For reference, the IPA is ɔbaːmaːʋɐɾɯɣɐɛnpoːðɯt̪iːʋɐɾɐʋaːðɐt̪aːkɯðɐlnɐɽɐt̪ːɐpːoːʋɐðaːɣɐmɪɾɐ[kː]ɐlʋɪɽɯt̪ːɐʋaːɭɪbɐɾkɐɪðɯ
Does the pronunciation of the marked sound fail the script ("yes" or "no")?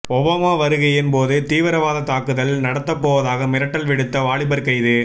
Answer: yes